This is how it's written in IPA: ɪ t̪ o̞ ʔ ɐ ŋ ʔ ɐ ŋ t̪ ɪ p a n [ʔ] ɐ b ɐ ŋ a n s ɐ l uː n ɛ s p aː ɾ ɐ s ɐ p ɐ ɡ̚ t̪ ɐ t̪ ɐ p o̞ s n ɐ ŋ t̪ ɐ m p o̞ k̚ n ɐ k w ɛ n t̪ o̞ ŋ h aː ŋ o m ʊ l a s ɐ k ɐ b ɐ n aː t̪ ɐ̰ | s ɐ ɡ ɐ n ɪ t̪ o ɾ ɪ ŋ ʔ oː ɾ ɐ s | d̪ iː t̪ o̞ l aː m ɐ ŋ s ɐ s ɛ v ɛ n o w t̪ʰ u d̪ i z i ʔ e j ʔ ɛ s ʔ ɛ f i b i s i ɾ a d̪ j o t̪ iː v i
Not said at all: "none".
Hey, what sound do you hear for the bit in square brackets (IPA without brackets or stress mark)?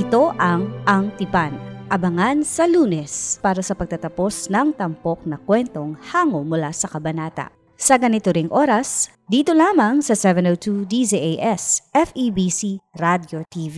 ʔ